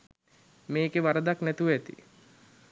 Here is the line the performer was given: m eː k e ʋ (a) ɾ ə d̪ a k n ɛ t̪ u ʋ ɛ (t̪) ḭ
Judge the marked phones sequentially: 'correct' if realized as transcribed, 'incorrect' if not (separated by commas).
correct, correct